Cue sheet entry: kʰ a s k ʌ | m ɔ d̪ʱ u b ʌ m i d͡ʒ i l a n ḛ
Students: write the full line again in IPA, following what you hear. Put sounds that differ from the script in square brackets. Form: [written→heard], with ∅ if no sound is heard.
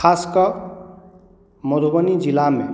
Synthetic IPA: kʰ a s k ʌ | m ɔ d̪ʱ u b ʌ [m→n] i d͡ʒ i l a [n→m] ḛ

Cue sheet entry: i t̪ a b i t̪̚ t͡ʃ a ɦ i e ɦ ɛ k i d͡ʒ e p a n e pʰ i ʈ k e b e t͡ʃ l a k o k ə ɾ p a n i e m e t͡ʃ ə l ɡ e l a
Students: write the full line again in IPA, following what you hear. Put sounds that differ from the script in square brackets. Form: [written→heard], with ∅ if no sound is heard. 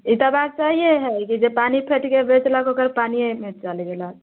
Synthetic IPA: i t̪ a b [i→a] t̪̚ t͡ʃ a ɦ i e ɦ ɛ k i d͡ʒ e p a n [e→i] pʰ [i→e] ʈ k e b e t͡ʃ l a k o k ə ɾ p a n i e m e t͡ʃ [ə→a] l ɡ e l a

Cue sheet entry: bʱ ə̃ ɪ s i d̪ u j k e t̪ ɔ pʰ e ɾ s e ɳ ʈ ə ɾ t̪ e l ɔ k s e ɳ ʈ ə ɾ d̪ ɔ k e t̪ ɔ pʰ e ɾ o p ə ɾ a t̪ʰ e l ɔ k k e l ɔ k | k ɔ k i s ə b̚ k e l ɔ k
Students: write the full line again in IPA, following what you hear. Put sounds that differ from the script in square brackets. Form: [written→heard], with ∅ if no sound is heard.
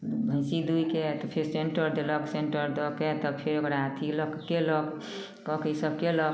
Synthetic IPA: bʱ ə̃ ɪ s i d̪ u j k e t̪ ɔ pʰ e ɾ s e ɳ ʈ ə ɾ [t̪→d̪] e l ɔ k s e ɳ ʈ ə ɾ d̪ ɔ k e t̪ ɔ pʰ e ɾ o [p→k] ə ɾ a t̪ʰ [e→i] l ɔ k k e l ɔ k | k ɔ k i s ə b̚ k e l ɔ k

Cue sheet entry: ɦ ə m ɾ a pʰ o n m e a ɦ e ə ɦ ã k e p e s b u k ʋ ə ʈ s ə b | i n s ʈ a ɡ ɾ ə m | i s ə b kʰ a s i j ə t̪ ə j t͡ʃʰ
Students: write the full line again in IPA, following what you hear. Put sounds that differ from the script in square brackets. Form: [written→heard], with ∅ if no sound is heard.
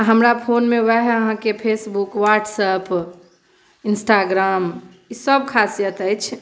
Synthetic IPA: ɦ ə m ɾ a pʰ o n m e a ɦ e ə ɦ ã k e [p→pʰ] e s b u k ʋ [ə→a] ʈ s ə [b→p] | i n s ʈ a ɡ ɾ [ə→a] m | i s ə b kʰ a s i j ə t̪ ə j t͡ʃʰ

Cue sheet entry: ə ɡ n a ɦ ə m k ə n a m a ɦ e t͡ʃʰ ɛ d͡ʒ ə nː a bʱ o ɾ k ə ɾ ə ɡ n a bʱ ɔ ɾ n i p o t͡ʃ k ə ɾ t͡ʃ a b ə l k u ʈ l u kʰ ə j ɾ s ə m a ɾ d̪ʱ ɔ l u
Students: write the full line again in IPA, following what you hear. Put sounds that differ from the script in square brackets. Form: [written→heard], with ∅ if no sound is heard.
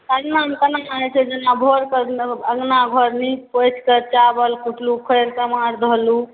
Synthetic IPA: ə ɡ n a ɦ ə m k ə n a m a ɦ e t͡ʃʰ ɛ d͡ʒ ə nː a bʱ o ɾ k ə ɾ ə ɡ n a [bʱ→ɡʱ] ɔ ɾ n i p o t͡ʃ k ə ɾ t͡ʃ a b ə l k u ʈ l u kʰ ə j ɾ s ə m a ɾ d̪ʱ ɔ l u

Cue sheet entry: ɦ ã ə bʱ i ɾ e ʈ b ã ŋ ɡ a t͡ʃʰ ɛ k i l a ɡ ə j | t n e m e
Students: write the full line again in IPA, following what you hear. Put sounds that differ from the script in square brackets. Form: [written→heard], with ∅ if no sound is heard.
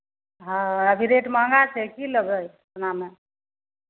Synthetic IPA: ɦ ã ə bʱ i ɾ e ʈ [b→m] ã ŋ ɡ a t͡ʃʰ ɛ k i l [a→ə] ɡ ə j | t n [e→a] m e

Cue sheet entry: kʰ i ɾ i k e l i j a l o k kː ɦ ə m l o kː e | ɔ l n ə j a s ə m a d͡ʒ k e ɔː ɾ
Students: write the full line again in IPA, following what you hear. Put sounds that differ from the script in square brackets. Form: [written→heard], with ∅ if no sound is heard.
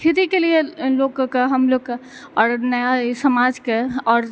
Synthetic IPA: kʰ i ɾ i k e l i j [a→e] l o k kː ɦ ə m l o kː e | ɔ [l→ɾ] n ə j a s ə m a d͡ʒ k e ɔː ɾ

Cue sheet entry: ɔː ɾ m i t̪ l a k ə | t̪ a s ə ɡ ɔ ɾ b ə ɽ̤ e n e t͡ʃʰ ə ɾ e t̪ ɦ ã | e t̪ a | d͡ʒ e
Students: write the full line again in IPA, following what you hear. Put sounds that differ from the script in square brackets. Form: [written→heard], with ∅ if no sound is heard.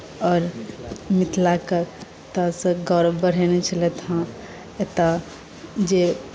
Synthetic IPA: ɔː ɾ m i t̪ l a k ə | t̪ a s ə ɡ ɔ ɾ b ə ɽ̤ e n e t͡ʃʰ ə [ɾ→l] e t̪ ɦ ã | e t̪ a | d͡ʒ e

